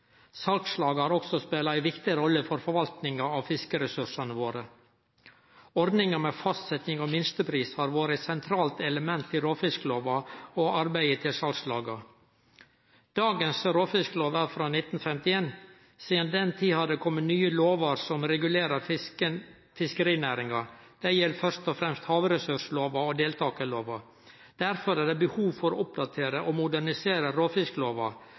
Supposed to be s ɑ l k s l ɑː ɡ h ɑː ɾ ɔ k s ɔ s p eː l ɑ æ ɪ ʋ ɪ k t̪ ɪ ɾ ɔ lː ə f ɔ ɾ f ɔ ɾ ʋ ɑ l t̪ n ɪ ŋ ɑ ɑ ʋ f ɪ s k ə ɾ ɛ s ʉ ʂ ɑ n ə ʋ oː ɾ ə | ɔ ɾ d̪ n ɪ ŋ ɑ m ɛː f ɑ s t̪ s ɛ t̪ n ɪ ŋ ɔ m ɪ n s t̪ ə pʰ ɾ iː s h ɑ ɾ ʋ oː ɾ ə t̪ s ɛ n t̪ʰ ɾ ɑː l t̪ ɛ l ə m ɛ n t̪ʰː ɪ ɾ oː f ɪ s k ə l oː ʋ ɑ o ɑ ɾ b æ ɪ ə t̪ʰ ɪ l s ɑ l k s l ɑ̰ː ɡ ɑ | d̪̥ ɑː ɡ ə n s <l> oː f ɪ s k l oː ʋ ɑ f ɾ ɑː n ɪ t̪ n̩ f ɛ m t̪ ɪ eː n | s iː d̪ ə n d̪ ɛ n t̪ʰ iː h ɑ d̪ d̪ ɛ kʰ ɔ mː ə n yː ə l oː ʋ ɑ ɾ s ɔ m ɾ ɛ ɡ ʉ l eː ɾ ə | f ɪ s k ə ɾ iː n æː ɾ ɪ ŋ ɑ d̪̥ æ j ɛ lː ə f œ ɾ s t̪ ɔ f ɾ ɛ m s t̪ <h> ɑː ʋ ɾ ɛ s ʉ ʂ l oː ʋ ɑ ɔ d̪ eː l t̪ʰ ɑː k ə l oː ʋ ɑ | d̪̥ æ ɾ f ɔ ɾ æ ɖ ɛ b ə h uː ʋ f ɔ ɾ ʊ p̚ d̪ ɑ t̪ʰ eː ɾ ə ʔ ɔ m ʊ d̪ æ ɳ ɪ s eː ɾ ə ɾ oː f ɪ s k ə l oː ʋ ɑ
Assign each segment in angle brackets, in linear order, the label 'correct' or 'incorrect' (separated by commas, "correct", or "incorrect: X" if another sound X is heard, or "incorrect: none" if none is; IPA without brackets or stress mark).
incorrect: ɾ, correct